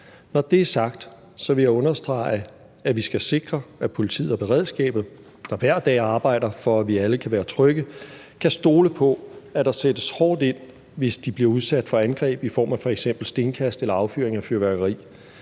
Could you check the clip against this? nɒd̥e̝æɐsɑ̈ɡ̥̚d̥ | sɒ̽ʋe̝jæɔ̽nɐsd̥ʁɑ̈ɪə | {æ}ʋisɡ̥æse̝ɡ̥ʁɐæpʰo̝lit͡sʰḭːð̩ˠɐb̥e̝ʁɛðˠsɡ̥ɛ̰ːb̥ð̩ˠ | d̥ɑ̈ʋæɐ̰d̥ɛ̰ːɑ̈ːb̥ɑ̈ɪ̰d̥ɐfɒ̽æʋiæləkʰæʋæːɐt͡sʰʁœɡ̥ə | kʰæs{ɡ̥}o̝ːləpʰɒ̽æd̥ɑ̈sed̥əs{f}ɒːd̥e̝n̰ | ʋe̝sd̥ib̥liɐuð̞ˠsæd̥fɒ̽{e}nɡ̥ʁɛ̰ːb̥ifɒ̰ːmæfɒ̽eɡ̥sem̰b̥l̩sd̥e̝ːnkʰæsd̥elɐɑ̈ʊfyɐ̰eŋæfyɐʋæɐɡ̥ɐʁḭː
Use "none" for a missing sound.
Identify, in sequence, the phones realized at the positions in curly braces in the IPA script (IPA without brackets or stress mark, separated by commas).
æ, d̥, h, æ